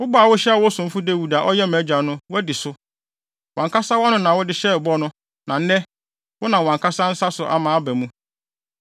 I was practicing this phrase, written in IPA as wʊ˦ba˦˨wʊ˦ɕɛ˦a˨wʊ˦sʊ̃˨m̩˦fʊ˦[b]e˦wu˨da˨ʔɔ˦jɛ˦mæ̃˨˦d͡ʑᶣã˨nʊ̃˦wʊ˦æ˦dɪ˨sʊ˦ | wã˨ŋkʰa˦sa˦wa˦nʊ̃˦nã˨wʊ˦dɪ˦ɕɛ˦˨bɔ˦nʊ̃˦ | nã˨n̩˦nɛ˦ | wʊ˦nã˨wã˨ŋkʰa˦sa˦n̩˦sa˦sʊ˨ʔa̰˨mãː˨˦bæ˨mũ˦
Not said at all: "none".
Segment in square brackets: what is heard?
d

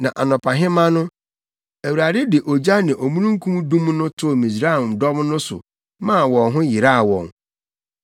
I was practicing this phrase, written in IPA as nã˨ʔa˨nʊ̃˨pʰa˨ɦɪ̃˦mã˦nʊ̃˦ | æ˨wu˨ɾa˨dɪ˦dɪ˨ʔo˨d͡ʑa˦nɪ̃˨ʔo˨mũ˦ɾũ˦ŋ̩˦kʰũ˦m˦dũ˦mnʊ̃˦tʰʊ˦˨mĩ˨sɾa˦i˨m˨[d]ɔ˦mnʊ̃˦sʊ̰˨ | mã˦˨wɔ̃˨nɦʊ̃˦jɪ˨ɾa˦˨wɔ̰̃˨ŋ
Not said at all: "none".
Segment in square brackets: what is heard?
d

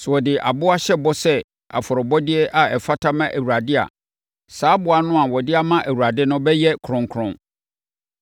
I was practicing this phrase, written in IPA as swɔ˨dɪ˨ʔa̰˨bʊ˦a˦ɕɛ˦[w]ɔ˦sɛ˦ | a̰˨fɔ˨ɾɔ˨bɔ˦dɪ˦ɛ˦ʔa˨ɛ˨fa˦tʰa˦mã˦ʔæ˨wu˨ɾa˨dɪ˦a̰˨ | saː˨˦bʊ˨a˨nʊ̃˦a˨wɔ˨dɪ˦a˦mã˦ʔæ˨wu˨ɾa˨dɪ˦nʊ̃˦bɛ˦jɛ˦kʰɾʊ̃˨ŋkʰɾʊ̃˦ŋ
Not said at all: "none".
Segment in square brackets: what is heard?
b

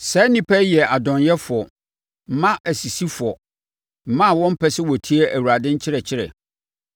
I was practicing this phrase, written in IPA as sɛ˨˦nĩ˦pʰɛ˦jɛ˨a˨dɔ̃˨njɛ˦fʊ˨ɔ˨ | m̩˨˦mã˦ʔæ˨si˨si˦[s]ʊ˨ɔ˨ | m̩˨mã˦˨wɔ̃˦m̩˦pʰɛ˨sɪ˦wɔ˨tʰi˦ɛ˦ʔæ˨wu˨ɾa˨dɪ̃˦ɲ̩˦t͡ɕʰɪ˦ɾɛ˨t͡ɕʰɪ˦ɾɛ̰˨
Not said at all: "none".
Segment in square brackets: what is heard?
f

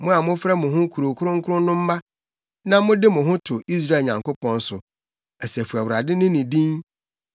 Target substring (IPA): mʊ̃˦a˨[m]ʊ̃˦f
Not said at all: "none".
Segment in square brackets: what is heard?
m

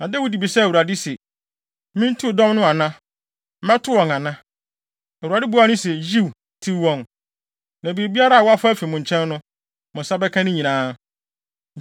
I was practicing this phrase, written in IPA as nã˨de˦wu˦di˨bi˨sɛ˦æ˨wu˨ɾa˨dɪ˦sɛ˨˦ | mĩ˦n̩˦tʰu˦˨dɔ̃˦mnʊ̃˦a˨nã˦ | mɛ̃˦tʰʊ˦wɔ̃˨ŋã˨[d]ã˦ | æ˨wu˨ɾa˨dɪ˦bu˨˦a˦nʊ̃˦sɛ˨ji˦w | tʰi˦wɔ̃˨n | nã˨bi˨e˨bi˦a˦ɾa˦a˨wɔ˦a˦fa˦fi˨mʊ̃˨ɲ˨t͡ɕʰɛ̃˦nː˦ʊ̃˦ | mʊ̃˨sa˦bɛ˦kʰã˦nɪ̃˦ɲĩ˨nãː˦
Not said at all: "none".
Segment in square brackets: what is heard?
n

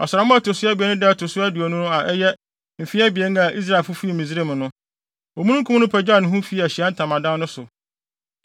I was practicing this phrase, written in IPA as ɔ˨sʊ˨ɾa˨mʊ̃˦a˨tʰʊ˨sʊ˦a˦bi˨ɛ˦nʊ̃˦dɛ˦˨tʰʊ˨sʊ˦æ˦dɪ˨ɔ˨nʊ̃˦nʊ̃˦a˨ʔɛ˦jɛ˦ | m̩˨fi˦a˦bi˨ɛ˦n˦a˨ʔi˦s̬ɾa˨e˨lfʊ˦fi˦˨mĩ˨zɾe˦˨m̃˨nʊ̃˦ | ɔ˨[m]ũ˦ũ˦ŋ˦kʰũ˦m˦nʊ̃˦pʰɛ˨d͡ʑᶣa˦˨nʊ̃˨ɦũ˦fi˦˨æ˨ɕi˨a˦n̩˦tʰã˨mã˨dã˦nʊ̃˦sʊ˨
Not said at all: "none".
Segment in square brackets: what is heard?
m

